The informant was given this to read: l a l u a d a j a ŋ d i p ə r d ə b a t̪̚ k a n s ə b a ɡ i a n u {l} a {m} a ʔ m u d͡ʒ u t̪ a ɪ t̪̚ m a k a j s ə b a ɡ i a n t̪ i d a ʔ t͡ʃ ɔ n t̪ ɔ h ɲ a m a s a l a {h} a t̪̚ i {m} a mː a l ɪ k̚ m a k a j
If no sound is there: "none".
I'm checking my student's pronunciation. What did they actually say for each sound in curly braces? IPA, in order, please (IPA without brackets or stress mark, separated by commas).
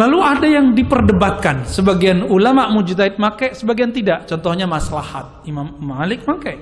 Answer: l, m, h, m